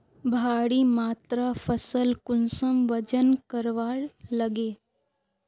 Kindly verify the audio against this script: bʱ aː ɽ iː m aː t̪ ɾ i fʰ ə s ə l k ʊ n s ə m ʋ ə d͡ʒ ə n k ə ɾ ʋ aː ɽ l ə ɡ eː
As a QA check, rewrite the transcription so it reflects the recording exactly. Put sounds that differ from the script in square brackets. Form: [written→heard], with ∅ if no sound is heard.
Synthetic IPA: bʱ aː ɽ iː m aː t̪ ɾ [i→a] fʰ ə s ə l k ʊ n s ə m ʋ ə d͡ʒ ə n k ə ɾ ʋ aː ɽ l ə ɡ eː